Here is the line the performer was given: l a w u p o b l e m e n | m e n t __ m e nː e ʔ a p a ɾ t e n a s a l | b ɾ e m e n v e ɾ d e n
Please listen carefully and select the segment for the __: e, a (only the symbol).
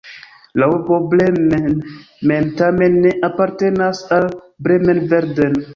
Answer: a